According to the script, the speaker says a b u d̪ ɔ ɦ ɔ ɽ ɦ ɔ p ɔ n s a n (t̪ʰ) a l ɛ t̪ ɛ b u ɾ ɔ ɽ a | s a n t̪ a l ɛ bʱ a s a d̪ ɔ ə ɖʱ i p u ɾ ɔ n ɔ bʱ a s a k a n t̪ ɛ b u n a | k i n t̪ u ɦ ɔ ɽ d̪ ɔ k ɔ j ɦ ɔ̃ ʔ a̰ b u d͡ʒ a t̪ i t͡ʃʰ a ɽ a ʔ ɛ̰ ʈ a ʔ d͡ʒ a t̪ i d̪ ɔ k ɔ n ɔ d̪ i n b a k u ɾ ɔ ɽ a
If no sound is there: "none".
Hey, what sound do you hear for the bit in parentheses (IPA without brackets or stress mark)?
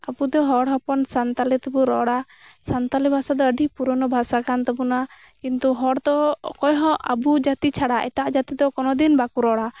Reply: t̪